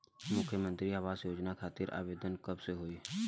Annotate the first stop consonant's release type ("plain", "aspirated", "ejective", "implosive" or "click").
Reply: aspirated